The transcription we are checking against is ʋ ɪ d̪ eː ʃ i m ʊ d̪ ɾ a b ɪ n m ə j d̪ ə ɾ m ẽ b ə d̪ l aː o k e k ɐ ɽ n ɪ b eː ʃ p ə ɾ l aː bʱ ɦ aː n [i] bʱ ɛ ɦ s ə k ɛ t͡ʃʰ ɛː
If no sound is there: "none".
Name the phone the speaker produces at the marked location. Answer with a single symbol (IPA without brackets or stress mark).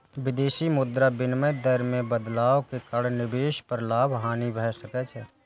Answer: i